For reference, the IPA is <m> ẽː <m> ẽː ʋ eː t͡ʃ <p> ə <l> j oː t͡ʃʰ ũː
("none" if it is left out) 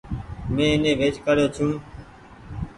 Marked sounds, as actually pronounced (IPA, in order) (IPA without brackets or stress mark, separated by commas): m, n, k, ɾ